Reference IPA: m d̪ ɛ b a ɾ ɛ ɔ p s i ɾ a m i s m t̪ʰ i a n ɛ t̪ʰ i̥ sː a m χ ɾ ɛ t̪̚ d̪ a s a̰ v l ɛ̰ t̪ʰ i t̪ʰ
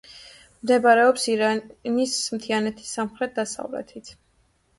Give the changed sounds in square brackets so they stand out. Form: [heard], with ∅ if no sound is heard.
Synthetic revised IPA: m d̪ ɛ b a ɾ ɛ ɔ p s i ɾ a [n] i s m t̪ʰ i a n ɛ t̪ʰ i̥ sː a m χ ɾ ɛ t̪̚ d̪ a s a̰ v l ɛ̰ t̪ʰ i t̪ʰ